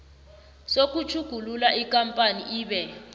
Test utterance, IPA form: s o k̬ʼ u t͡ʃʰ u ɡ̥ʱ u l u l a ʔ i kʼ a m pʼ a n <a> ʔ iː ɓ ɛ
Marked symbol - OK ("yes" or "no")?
no